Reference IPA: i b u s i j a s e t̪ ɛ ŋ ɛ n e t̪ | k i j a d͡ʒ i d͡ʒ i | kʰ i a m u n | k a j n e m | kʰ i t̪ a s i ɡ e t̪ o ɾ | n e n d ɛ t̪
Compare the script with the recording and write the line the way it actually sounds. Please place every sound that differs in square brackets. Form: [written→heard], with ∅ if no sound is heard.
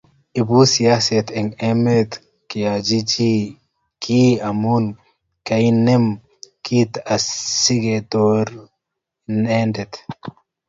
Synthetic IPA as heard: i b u s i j a s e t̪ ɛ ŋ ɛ [n→m] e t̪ | k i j a d͡ʒ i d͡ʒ i | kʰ i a m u n | k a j n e m | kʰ i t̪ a s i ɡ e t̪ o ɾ | n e n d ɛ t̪